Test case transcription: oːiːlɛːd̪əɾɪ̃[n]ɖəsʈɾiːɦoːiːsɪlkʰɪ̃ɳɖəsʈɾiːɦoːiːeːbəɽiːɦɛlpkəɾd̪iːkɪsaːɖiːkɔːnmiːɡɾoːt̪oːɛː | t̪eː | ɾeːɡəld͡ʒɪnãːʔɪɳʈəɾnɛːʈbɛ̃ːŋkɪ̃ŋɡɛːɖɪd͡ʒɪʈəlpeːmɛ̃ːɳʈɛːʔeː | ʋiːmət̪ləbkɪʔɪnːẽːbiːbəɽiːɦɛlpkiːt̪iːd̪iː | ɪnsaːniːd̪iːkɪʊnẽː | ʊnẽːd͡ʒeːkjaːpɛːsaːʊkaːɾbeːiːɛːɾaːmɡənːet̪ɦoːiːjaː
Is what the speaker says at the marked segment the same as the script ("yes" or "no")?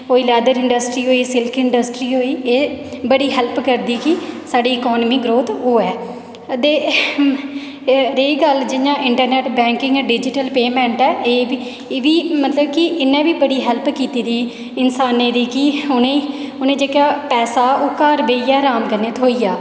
no